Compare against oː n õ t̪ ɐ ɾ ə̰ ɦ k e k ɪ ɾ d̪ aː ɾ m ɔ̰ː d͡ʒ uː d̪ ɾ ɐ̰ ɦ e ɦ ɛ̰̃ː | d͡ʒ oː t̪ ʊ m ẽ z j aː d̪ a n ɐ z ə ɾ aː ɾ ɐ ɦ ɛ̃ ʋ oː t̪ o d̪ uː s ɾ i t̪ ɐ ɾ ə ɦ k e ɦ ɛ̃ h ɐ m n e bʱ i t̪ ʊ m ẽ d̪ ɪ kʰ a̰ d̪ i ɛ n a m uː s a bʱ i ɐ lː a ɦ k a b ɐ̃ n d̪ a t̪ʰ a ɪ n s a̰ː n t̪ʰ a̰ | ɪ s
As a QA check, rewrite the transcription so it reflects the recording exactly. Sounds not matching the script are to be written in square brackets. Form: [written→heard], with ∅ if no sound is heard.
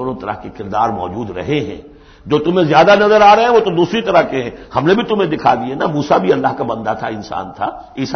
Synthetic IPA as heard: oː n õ t̪ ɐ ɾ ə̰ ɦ k e k ɪ ɾ d̪ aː ɾ m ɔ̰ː d͡ʒ uː d̪ ɾ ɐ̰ ɦ e ɦ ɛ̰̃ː | d͡ʒ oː t̪ ʊ m ẽ z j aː d̪ a n ɐ z ə ɾ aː ɾ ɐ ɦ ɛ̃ ʋ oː t̪ o d̪ uː s ɾ i t̪ ɐ ɾ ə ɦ k e ɦ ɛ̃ h ɐ m n e bʱ i t̪ ʊ m ẽ d̪ ɪ kʰ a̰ d̪ i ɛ n a m uː s a bʱ i ɐ lː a ɦ k a b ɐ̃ n d̪ a t̪ʰ a ɪ n s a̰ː n t̪ʰ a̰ | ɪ s